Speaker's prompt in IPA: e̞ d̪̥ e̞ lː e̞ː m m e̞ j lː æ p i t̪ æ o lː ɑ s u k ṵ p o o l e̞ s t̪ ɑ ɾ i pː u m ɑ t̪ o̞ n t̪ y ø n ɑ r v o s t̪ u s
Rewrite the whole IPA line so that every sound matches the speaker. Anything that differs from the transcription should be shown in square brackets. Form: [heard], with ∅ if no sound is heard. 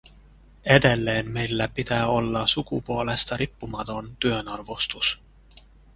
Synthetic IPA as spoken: e̞ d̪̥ e̞ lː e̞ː [n] m e̞ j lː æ p i t̪ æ o lː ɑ s u k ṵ p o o l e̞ s t̪ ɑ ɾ i pː u m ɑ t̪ o̞ n t̪ y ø n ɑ r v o s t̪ u s